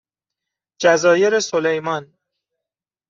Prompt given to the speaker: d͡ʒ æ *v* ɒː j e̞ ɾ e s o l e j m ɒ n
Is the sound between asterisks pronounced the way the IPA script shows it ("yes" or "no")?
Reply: no